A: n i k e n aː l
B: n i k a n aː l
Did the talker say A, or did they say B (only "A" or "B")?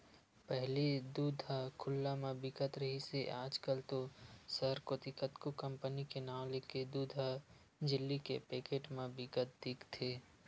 A